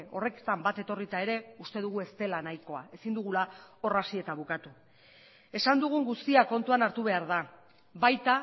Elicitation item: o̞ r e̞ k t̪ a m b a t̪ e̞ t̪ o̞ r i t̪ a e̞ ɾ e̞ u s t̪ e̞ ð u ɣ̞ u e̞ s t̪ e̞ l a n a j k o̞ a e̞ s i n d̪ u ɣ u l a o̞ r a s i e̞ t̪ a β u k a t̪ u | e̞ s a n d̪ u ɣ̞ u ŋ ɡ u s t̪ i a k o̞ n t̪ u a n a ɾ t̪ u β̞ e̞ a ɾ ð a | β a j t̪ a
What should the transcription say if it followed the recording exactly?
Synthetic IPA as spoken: o̞ r e̞ k t̪ a m b a t̪ e̞ t̪ o̞ r i t̪ a e̞ ɾ e̞ u s t̪ e̞ ð u ɣ̞ u e̞ s t̪ e̞ l a n a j k o̞ a e̞ s i n d̪ u ɣ u l a o̞ r a s i e̞ t̪ a β u k a t̪ u | e̞ s a n d̪ u ɣ̞ u ŋ ɡ u s t̪ i a k o̞ n t̪ u a n a ɾ t̪ u β̞ e̞ a ɾ ð a | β a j t̪ a